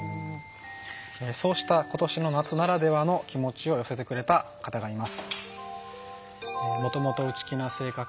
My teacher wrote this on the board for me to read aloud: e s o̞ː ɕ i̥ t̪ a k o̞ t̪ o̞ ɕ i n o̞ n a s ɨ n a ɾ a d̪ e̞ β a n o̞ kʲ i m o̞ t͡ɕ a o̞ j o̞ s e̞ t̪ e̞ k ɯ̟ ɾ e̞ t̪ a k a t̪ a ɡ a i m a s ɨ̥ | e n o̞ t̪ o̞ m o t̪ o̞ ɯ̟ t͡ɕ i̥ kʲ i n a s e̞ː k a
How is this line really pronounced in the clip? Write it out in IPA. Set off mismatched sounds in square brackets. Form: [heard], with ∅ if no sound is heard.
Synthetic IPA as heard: e s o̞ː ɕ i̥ t̪ a k o̞ t̪ o̞ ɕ i n o̞ n a [t͡s] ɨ n a ɾ a d̪ e̞ β a n o̞ kʲ i m o̞ t͡ɕ [i] o̞ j o̞ s e̞ t̪ e̞ k ɯ̟ ɾ e̞ t̪ a k a t̪ a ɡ a i m a s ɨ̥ | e [m] o̞ t̪ o̞ m o t̪ o̞ ɯ̟ t͡ɕ i̥ kʲ i n a s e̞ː k a

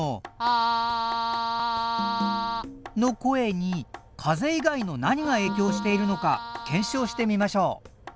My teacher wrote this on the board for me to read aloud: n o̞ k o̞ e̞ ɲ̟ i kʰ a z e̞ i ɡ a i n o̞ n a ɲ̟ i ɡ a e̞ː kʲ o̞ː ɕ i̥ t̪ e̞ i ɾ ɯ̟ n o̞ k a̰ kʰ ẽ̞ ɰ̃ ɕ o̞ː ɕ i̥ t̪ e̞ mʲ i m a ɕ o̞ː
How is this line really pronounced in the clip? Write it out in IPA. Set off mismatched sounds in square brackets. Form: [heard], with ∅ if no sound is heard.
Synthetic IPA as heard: n o̞ k o̞ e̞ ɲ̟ i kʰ a z e̞ i ɡ a i n o̞ n a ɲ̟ i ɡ a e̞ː kʲ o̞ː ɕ i̥ t̪ e̞ i ɾ ɯ̟ n o̞ k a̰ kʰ ẽ̞ ɰ̃ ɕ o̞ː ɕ i̥ t̪ e̞ mʲ i m a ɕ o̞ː

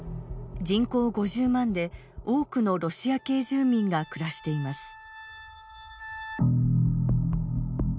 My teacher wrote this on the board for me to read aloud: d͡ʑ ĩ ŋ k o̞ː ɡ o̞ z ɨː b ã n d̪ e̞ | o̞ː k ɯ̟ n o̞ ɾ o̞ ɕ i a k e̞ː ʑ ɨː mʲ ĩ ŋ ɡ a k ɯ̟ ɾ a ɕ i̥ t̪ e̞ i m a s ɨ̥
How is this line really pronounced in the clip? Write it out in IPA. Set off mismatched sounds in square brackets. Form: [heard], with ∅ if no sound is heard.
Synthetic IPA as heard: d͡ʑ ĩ ŋ k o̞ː ɡ o̞ [ʑ] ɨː [m] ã n d̪ e̞ | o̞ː k ɯ̟ n o̞ ɾ o̞ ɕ i a k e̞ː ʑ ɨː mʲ ĩ ŋ ɡ a k ɯ̟ ɾ a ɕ i̥ t̪ e̞ i m a s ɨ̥

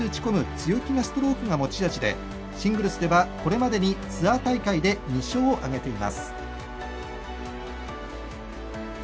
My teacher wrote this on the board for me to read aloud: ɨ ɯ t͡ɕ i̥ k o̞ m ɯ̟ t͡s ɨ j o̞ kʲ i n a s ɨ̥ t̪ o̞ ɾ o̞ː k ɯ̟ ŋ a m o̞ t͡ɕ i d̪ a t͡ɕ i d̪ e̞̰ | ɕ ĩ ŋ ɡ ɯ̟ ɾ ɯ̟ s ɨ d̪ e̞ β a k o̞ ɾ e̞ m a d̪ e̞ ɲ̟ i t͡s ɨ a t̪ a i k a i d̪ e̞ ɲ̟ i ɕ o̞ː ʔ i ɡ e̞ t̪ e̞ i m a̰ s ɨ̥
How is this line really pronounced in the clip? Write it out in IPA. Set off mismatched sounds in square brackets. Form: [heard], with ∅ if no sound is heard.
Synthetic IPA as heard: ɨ ɯ t͡ɕ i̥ k o̞ m ɯ̟ t͡s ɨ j o̞ kʲ i n a s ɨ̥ t̪ o̞ ɾ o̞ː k ɯ̟ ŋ a m o̞ t͡ɕ i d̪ a t͡ɕ i d̪ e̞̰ | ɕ ĩ ŋ ɡ ɯ̟ ɾ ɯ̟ s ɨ d̪ e̞ β a k o̞ ɾ e̞ m a d̪ e̞ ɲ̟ i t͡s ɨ a t̪ a i k a i d̪ e̞ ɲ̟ i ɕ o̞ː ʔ [a] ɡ e̞ t̪ e̞ i m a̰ s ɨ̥

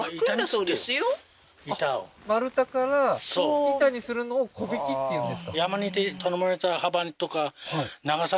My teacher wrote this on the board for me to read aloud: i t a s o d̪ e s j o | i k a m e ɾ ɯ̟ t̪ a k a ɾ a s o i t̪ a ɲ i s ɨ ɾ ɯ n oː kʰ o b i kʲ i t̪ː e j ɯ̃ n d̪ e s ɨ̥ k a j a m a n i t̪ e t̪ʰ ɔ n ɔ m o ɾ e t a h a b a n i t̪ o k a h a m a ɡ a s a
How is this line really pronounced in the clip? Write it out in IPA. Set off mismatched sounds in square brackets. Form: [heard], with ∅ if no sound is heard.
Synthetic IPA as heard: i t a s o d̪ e s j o | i [t] a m [a] ɾ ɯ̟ t̪ a k a ɾ a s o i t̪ a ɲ i s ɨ ɾ ɯ n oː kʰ o b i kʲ i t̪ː e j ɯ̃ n d̪ e s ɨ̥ k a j a m a n i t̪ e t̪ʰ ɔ n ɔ m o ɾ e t a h a b a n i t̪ o k a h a [n] a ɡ a s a

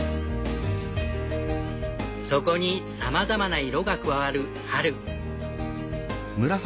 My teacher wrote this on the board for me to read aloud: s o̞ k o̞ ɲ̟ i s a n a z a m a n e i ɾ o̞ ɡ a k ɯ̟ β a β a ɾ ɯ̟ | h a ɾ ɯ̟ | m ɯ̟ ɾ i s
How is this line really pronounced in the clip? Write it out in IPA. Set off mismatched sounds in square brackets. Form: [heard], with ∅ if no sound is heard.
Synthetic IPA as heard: s o̞ k o̞ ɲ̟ i s a [m] a z a m a n [a] i ɾ o̞ ɡ a k ɯ̟ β a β a ɾ ɯ̟ | h a ɾ ɯ̟ | m ɯ̟ ɾ [a] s

